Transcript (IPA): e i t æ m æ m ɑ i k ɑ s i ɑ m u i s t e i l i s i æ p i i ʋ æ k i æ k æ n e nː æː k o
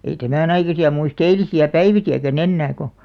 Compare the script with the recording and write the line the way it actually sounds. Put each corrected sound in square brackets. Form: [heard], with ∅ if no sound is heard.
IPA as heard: e i t æ m æ [n] ɑ i k ɑ s i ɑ m u i s t e i l i s i æ p [æ] i ʋ [i] k i æ k æ n e nː æː k o